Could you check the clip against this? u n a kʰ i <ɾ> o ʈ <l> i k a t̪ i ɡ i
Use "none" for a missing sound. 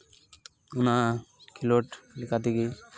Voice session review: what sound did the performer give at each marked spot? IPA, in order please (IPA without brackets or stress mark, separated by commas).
l, l